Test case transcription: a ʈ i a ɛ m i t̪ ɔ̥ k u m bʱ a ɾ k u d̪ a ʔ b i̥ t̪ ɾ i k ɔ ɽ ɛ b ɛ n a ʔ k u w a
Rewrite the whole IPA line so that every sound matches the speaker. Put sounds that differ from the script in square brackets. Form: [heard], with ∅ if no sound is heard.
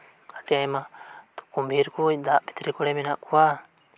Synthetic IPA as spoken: a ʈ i a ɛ m [a] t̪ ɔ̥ k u m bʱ [i] ɾ k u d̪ a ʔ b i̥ t̪ ɾ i k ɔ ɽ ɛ [m] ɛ n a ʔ k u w a